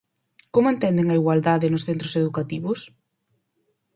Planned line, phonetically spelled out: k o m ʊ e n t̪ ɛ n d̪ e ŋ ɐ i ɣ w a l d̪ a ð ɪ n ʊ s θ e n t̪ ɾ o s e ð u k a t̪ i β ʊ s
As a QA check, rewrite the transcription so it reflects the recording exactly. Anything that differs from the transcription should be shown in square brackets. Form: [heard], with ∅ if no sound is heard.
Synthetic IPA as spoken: k o m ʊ e n t̪ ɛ n d̪ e ŋ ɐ i ɣ w a l d̪ a ð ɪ n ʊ s θ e n t̪ ɾ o s e ð u k a t̪ i β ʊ s